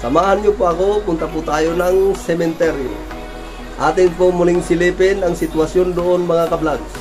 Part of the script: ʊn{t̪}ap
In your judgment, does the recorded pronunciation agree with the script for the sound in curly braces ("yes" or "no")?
yes